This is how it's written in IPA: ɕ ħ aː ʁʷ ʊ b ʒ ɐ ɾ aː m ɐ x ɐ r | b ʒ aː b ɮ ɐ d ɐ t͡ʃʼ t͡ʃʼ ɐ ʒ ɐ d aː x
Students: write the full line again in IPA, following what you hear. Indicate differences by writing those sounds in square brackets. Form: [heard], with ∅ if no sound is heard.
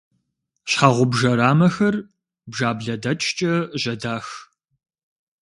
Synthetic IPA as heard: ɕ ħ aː ʁʷ ʊ b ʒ ɐ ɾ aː m ɐ x ɐ r | b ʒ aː b ɮ ɐ d ɐ t͡ʃʼ t͡ʃʼ ɐ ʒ ɐ d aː x